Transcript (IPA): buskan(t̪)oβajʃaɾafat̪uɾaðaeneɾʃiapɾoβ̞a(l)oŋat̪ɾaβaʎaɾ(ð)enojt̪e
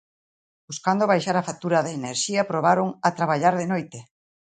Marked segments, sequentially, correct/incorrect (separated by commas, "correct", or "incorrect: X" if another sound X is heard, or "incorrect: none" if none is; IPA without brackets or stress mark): incorrect: d̪, incorrect: ɾ, correct